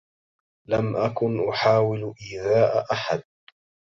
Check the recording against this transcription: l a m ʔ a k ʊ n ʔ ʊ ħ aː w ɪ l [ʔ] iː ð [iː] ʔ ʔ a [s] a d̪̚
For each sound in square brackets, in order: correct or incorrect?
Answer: correct, incorrect: aː, incorrect: ħ

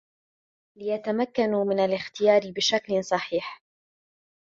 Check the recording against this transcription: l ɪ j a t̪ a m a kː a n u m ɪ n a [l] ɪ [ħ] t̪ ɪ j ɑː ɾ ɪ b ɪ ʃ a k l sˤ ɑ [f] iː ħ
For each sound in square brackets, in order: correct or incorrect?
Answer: correct, incorrect: x, incorrect: ħ

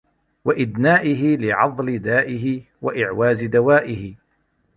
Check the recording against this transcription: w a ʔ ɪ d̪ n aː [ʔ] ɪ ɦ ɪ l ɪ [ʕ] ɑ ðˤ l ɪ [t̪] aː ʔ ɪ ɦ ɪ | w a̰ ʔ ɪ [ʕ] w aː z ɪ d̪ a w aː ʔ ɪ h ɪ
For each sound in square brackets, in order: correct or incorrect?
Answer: correct, correct, incorrect: d̪, correct

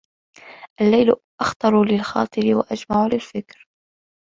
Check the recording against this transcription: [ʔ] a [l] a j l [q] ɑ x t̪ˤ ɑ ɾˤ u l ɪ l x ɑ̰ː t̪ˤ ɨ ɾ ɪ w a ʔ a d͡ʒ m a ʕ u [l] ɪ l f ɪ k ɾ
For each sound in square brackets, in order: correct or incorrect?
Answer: correct, incorrect: lː, incorrect: ʔ, correct

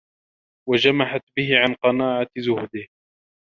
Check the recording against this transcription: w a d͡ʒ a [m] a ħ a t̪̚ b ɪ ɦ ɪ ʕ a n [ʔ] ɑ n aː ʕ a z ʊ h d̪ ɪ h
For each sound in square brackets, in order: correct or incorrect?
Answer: correct, incorrect: q

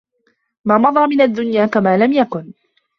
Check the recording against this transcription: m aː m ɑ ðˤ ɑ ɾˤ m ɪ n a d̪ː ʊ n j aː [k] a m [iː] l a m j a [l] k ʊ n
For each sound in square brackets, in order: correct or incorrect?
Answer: correct, incorrect: aː, incorrect: none

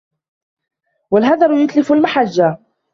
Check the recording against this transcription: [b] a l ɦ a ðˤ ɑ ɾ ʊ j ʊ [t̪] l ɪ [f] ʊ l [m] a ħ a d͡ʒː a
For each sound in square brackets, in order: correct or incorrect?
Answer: incorrect: w, correct, correct, correct

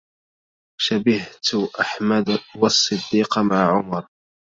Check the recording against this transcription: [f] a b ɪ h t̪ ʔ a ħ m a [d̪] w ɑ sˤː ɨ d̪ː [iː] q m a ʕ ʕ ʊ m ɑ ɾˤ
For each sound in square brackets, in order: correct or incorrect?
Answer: incorrect: ʃ, correct, correct

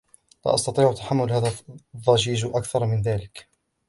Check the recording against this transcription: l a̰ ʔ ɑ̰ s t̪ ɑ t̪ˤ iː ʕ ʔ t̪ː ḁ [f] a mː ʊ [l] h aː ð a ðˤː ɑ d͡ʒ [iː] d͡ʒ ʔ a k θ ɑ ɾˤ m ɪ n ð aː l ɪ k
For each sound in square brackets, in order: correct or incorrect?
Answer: incorrect: ħ, correct, correct

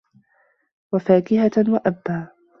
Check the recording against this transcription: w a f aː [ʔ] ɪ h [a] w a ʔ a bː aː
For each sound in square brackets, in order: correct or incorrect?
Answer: incorrect: k, correct

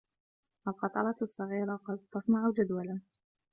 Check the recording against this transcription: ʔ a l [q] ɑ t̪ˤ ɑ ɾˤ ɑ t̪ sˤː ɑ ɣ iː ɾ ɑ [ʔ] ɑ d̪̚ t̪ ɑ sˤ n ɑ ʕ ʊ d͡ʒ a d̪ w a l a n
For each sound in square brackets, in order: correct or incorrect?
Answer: correct, incorrect: q

